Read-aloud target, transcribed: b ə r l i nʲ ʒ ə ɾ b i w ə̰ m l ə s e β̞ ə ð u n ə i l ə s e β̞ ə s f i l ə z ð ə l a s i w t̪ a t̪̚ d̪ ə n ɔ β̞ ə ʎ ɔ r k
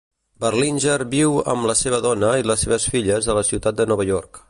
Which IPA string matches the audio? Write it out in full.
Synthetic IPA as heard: b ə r l i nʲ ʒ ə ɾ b i w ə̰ m l ə s e β̞ ə ð ɔ n ə i l ə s e β̞ ə s f i ʎ ə z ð ə l ə s i w t̪ a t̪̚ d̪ ə n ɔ β̞ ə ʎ ɔ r k